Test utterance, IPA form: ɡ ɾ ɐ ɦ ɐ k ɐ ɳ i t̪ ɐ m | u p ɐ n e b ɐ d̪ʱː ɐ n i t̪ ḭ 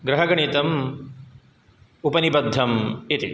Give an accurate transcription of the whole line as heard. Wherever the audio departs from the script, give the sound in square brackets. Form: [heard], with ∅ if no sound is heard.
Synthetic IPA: ɡ ɾ ɐ ɦ ɐ [ɡ] ɐ ɳ i t̪ ɐ m | u p ɐ n [i] b ɐ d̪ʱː ɐ [m] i t̪ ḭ